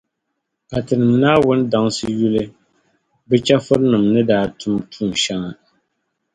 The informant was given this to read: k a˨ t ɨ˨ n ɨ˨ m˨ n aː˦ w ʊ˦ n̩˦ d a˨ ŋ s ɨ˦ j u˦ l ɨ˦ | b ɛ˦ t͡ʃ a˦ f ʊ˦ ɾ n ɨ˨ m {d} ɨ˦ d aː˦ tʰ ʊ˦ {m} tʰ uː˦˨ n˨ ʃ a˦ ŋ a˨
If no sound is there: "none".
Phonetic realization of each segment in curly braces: n, m

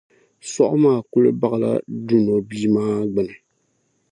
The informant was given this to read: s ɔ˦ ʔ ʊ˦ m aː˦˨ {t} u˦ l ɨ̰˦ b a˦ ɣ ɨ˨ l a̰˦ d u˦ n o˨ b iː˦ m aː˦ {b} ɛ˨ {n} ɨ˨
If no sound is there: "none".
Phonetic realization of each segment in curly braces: k, ɡ͡b, n

